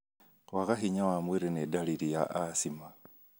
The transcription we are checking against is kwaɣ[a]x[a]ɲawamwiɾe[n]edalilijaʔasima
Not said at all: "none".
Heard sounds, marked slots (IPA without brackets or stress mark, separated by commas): a, i, n